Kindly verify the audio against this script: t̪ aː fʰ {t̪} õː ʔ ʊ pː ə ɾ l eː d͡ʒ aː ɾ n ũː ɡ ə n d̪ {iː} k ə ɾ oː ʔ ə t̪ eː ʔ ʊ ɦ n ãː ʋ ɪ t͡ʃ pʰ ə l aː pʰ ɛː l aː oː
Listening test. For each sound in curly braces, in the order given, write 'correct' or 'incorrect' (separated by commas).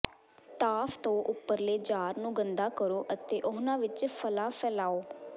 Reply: correct, incorrect